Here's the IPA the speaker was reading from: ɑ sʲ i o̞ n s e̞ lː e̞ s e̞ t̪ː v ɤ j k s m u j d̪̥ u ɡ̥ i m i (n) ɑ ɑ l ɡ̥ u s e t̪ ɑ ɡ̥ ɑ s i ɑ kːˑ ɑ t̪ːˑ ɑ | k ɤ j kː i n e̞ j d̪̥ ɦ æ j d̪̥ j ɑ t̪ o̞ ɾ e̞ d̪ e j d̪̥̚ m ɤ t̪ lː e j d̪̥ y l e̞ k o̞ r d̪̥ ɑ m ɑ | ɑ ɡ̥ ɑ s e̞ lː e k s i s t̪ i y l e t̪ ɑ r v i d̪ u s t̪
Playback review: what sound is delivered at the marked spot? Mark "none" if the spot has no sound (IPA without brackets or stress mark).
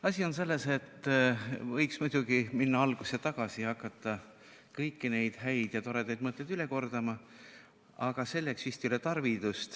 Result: nː